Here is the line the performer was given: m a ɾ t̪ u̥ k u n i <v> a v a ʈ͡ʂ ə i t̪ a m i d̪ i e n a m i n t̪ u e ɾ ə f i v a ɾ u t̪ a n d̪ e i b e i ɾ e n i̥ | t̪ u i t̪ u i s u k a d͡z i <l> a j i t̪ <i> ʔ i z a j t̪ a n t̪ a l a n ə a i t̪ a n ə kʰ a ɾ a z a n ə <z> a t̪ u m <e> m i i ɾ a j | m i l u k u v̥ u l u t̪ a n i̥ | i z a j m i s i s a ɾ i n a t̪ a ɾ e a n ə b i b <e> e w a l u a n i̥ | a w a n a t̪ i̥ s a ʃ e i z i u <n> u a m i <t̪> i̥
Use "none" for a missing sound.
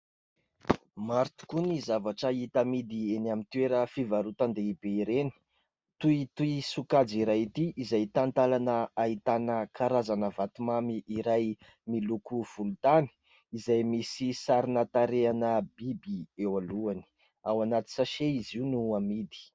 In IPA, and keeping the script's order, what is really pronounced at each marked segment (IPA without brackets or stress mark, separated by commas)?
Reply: z, ɾ, i, v, a, i, n, d̪